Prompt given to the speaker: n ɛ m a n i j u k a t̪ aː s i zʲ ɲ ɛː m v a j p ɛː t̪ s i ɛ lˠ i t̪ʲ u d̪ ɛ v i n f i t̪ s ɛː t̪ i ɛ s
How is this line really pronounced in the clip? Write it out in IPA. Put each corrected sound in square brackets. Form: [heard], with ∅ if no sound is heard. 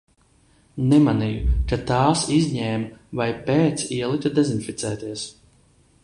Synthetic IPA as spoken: n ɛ m a n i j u k a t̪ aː s i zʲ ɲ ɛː m v a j p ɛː t̪ s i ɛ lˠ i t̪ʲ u d̪ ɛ [z] i n f i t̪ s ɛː t̪ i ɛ s